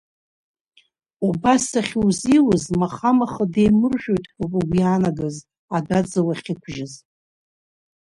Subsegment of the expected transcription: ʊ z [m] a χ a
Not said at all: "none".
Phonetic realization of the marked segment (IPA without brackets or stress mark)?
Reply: m